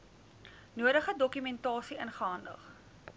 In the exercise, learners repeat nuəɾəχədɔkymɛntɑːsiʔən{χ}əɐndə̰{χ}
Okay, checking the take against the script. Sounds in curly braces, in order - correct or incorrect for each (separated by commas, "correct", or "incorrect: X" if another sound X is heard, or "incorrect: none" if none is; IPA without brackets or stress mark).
correct, correct